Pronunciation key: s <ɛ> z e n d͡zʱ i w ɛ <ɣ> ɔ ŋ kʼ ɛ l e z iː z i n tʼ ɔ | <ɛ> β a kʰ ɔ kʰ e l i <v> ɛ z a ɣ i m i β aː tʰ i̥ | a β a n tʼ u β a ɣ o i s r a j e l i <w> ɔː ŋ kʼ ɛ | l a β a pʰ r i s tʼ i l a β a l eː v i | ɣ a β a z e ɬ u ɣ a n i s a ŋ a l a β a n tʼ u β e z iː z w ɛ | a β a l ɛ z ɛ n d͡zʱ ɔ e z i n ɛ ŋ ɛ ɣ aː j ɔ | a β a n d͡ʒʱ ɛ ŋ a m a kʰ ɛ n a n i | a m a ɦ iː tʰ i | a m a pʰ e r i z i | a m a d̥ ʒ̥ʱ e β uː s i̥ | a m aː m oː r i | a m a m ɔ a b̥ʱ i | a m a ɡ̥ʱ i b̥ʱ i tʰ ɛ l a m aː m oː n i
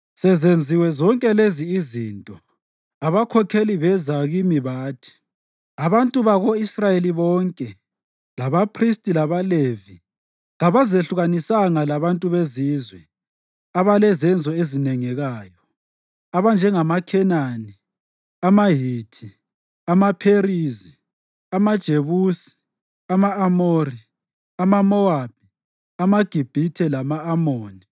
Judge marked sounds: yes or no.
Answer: yes, no, no, no, no

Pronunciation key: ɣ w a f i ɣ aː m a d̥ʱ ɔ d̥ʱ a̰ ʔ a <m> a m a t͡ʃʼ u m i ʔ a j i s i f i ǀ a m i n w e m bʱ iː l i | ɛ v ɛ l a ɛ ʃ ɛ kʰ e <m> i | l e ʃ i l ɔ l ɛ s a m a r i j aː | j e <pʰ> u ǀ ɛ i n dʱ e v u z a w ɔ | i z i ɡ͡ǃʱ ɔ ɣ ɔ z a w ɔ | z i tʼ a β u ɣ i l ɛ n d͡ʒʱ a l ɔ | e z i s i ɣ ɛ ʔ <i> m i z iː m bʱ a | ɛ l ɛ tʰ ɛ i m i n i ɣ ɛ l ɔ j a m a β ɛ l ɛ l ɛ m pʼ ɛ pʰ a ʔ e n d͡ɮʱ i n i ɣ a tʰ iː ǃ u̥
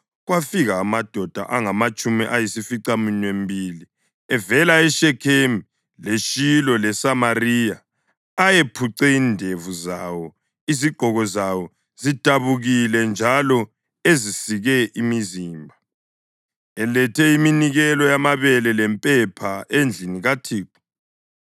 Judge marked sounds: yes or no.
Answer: no, yes, yes, yes

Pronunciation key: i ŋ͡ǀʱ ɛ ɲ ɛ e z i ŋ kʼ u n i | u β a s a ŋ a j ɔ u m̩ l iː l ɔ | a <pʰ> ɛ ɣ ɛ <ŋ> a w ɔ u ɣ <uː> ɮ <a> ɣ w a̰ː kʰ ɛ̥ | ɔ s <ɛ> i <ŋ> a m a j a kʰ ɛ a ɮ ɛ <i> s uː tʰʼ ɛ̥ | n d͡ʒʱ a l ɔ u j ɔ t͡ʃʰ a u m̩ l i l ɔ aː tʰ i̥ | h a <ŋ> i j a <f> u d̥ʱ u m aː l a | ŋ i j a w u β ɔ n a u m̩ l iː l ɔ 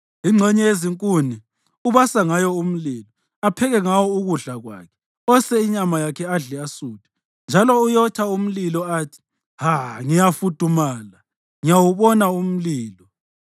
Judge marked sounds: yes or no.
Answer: yes, yes, no, yes, yes, no, no, yes, yes

